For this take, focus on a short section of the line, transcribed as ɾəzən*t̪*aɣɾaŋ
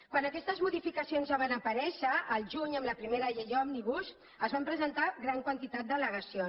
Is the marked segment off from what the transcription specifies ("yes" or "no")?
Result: no